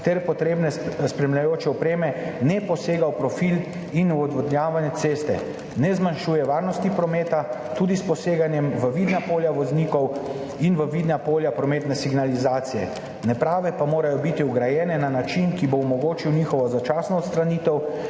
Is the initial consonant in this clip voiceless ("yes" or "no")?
yes